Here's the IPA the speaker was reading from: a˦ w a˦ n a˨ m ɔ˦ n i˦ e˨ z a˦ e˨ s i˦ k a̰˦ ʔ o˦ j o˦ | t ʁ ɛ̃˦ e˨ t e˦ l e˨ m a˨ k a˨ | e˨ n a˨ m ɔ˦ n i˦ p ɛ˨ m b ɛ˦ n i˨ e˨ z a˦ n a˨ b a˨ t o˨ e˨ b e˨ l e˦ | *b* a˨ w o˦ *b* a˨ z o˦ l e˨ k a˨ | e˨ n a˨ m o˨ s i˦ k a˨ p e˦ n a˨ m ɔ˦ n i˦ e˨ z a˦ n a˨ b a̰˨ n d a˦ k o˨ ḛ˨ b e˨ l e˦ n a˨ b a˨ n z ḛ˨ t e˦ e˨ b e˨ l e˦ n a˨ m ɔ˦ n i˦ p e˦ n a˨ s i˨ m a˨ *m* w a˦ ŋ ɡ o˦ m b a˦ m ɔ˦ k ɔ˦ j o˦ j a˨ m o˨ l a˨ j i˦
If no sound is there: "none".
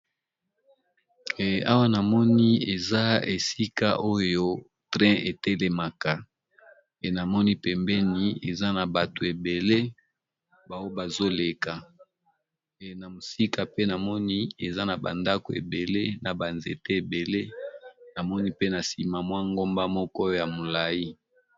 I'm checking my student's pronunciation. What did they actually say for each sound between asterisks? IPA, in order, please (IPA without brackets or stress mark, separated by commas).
b, b, m